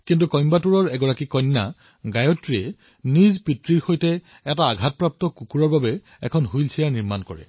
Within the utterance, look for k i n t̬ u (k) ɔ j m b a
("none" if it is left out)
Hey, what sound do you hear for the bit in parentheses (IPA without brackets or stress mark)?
k